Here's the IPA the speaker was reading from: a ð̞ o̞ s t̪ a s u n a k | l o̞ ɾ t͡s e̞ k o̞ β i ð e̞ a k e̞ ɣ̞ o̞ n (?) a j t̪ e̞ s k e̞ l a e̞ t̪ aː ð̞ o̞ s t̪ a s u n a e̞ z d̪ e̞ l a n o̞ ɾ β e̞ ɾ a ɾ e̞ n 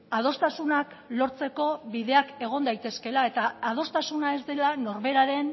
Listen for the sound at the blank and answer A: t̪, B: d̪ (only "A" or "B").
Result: B